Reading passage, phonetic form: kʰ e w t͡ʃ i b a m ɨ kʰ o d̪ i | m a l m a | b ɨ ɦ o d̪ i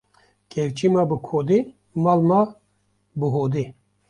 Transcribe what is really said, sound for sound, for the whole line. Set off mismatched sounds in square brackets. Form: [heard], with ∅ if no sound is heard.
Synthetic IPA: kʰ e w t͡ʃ i [m] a [b] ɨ kʰ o d̪ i | m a l m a | b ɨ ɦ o d̪ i